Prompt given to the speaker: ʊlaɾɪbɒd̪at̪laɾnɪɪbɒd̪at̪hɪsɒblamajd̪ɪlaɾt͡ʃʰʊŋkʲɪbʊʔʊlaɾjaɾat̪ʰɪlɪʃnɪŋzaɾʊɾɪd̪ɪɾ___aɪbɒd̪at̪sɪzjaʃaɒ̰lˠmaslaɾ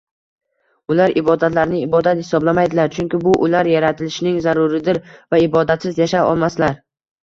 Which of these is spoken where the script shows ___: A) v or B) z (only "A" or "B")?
A